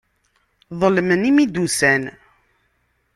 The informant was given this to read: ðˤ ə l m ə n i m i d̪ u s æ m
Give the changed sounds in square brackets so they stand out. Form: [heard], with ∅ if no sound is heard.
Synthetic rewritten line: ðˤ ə l m ə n i m i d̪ u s æ [n]